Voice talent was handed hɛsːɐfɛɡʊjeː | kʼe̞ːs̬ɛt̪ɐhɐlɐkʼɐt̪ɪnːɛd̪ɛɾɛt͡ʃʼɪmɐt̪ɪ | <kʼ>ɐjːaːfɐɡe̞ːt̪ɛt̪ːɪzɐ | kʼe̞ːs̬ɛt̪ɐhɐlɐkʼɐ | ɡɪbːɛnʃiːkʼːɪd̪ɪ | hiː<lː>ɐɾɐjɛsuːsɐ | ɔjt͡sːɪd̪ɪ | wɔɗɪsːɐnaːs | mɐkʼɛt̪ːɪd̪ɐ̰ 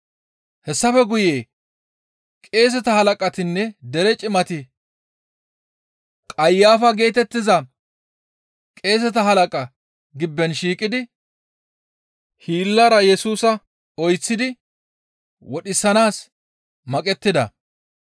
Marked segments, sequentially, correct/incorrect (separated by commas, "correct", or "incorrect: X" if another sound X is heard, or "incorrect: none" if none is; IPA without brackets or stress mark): correct, correct